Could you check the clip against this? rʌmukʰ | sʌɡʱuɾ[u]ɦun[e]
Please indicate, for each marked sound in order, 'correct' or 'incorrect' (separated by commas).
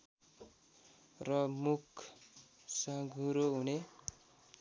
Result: incorrect, correct